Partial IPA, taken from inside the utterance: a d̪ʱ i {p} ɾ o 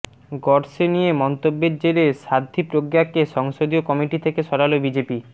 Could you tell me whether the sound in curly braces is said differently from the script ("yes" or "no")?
no